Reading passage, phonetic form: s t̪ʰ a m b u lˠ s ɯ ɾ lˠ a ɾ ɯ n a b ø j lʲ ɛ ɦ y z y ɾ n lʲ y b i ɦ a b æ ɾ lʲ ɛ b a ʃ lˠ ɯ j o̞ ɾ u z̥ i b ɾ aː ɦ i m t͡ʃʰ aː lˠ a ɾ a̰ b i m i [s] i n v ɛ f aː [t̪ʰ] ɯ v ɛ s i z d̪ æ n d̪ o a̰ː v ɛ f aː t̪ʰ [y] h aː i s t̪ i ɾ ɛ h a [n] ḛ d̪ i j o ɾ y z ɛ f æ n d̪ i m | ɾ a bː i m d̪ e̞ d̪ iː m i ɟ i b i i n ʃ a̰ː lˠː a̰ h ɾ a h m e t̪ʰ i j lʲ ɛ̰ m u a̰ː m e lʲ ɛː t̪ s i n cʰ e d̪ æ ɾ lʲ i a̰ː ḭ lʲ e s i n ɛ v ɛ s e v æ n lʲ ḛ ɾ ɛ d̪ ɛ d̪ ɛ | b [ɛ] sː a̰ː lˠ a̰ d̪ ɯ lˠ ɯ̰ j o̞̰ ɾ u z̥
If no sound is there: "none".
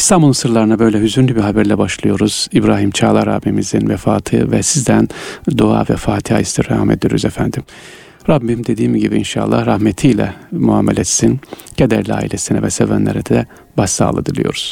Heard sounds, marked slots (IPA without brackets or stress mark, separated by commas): z, t̪ʰ, i, m, a